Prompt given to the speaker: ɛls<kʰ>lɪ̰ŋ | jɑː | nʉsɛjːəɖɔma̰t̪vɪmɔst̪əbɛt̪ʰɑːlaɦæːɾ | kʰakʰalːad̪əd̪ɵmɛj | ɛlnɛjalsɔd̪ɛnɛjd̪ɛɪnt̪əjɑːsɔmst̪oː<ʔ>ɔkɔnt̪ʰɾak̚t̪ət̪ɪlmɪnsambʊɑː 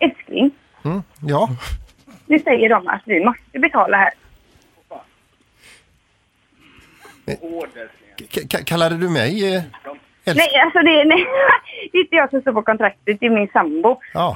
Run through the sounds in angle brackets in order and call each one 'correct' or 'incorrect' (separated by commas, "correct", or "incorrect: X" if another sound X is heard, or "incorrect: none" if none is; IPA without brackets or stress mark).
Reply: incorrect: k, incorrect: p